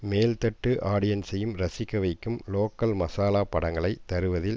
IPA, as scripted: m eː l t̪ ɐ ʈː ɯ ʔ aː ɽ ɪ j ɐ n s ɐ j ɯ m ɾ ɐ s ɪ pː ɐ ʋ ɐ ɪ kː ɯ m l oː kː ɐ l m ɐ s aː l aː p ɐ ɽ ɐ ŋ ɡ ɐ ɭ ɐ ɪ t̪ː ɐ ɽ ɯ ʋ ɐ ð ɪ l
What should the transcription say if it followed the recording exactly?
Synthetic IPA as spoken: m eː l t̪ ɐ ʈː ɯ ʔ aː ɽ ɪ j ɐ n s ɐ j ɯ m ɾ ɐ s ɪ kː ɐ ʋ ɐ ɪ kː ɯ m l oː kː ɐ l m ɐ s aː l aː p ɐ ɽ ɐ ŋ ɡ ɐ ɭ ɐ ɪ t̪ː ɐ ɾ ɯ ʋ ɐ ð ɪ l